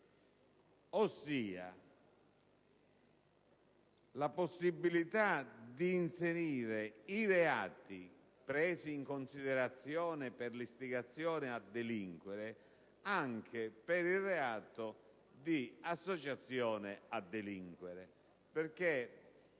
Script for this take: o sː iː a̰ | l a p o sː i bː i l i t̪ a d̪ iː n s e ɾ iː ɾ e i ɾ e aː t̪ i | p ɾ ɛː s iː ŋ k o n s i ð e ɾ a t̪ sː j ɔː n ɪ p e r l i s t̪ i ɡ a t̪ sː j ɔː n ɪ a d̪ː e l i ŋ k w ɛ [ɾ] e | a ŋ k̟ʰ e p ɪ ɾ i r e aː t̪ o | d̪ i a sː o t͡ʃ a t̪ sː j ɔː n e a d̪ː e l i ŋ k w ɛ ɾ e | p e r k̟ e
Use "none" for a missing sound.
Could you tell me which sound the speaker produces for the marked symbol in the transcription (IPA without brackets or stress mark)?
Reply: ɾ